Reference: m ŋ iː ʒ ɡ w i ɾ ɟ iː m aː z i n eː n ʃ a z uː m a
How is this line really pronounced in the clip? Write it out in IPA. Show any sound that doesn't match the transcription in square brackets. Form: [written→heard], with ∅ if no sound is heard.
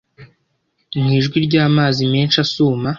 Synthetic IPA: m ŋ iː ʒ ɡ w i ɾ ɟ [iː→aː] m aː z i [n→m] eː n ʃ a [z→s] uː m a

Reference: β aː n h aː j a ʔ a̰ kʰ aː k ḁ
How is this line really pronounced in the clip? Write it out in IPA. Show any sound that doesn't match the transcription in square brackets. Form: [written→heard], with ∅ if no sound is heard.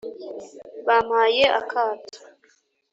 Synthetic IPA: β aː [n→m] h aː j [a→e] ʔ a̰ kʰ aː [k→t] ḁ

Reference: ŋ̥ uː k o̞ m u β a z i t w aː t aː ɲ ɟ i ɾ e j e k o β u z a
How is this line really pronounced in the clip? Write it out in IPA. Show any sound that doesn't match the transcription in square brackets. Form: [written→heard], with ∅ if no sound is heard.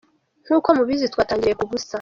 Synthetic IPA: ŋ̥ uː k o̞ m u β [a→i] z i t w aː t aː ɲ ɟ i ɾ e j e k [o→u] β u [z→s] a

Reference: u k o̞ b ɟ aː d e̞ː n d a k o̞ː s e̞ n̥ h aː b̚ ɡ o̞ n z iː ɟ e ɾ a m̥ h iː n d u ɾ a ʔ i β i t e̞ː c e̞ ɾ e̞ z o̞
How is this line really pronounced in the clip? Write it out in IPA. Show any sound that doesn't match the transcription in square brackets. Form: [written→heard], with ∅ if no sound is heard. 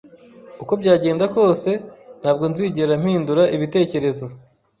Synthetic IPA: u k o̞ b ɟ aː [d→ɟ] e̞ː n d a k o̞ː s e̞ n̥ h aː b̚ ɡ o̞ n z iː ɟ e ɾ a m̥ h iː n d u ɾ a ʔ i β i t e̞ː c e̞ ɾ e̞ z o̞

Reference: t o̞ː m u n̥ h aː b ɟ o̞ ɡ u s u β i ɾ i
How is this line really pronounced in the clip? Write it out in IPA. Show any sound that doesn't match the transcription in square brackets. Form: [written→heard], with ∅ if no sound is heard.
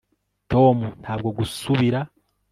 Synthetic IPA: t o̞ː m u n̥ h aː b [ɟ→ɡ] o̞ ɡ u s u β i ɾ [i→a]

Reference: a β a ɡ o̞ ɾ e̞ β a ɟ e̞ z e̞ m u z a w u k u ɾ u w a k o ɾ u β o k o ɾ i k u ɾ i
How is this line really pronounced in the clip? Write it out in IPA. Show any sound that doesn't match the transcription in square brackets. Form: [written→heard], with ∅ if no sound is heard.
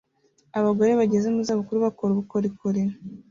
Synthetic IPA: a β a ɡ o̞ ɾ e̞ β a ɟ e̞ z e̞ m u z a [w→β] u k u ɾ u [w→β] a k o ɾ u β [o→u] k o ɾ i k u ɾ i

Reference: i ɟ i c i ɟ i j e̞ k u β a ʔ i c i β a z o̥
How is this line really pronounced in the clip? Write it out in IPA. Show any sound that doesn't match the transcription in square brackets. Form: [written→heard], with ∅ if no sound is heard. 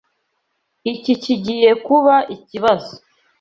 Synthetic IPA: i [ɟ→c] i c i ɟ i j e̞ k u β a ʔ i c i β a z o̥

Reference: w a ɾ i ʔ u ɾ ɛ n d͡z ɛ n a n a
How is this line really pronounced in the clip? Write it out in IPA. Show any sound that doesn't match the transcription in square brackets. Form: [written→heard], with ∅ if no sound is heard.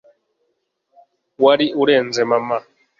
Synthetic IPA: w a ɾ i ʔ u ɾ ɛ n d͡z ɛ [n→m] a [n→m] a

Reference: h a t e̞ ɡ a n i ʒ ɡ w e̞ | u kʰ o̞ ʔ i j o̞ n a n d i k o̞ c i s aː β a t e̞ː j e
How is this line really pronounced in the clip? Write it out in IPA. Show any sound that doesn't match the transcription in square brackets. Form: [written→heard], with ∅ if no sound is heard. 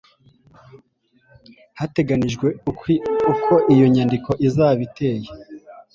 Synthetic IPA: h a t e̞ ɡ a n i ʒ ɡ w e̞ | u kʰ o̞ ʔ i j o̞ [n→ɲ] a n d i k o̞ [c→ʔ] i [s→z] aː β [a→i] t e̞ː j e

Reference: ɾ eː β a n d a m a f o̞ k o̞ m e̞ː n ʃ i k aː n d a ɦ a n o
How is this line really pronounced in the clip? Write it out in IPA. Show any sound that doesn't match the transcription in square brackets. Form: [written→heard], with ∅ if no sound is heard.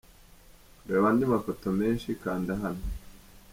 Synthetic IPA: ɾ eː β a n d [a→i] m a f o̞ [k→t] o̞ m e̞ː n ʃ i k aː n d a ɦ a n o

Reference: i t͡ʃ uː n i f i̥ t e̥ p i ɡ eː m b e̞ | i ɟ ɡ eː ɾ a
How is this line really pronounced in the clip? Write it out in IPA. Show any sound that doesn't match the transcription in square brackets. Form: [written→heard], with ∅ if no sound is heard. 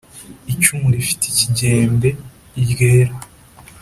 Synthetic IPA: i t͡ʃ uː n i f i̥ t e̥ [p→c] i [ɡ→ɟ] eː m b e̞ | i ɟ ɡ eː ɾ a

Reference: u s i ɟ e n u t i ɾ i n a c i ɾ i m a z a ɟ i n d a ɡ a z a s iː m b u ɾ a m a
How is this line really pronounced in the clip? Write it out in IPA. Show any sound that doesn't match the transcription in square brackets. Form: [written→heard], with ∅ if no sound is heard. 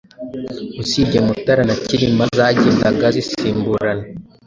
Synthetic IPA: u s i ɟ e [n→m] u t [i→a] ɾ [i→a] n a c i ɾ i m a z a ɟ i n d a ɡ a z [a→i] s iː m b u ɾ a [m→n] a

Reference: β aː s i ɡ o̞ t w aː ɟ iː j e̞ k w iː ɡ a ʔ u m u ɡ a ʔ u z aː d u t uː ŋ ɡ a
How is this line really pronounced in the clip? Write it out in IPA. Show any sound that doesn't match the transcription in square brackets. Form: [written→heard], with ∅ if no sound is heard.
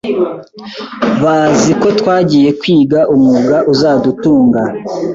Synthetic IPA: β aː [s→z] i [ɡ→k] o̞ t w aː ɟ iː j e̞ k w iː ɡ a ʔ u m u ɡ a ʔ u z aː d u t uː ŋ ɡ a

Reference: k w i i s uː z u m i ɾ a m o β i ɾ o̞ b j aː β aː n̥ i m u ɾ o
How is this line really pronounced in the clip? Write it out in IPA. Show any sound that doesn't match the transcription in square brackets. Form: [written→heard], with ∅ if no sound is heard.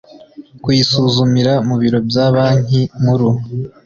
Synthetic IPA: k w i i s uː z u m i ɾ a m [o→u] β i ɾ o̞ b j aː β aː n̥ i m u ɾ [o→u]

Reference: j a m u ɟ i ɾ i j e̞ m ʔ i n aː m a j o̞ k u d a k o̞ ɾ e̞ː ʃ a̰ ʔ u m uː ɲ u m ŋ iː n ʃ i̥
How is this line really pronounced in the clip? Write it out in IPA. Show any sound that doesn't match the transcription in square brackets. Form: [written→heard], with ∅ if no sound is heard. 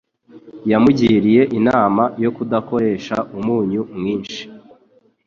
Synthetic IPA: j a m u ɟ i ɾ i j e̞ [m→∅] ʔ i n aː m a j o̞ k u d a k o̞ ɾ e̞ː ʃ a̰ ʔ u m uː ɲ u m ŋ iː n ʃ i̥

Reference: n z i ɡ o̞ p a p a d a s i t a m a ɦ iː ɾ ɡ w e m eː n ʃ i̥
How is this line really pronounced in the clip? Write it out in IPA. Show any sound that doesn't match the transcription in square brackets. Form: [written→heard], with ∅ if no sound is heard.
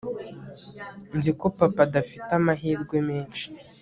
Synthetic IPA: n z i [ɡ→k] o̞ p a p a d a [s→f] i t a m a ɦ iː ɾ ɡ w e m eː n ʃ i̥

